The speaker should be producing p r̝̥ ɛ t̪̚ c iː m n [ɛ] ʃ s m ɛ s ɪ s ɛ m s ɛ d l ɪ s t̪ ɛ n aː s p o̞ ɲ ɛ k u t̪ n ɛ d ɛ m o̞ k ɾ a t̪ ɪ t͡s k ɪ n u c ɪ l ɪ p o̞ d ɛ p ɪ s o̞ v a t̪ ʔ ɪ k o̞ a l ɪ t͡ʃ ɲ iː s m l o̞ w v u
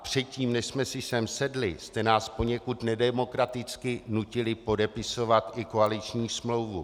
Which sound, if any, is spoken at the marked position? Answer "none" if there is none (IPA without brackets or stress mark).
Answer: ɛ